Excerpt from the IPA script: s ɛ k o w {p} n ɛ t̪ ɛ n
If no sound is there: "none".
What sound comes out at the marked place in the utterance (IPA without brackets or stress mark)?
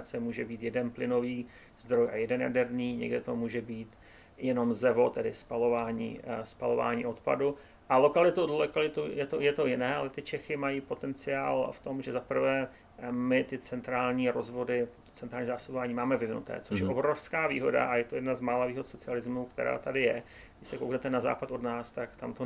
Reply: k